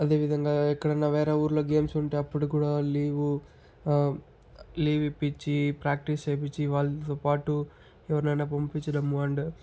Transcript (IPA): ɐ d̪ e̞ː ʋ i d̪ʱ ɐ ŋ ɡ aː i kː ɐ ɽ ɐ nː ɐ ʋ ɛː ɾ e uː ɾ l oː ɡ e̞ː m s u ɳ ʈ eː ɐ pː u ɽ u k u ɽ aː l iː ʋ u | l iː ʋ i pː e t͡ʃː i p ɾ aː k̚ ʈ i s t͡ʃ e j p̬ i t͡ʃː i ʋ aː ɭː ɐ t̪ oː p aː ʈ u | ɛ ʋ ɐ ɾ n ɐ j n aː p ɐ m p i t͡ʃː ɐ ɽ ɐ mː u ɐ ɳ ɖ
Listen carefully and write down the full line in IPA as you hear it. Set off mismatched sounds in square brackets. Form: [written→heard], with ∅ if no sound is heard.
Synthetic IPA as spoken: ɐ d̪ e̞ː ʋ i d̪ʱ ɐ ŋ ɡ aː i kː ɐ ɽ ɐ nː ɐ ʋ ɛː ɾ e uː ɾ l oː ɡ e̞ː m s u ɳ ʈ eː ɐ pː u ɽ u k [u→uː] ɽ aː l iː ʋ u | l iː ʋ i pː [e→i] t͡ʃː i p ɾ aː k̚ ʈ i s t͡ʃ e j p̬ i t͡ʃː i ʋ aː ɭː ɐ t̪ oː p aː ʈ u | ɛ ʋ ɐ ɾ n ɐ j n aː p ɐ m p i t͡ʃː ɐ ɽ ɐ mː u ɐ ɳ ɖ